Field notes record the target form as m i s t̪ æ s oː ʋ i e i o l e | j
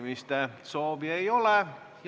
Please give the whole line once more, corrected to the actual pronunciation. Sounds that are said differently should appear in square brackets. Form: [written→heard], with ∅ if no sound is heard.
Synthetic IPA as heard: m i s t̪ æ s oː ʋ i e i o l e | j